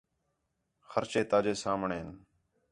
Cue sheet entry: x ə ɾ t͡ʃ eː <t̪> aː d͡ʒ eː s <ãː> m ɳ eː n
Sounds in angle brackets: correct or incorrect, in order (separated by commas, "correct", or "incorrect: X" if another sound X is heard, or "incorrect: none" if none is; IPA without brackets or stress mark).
correct, incorrect: aː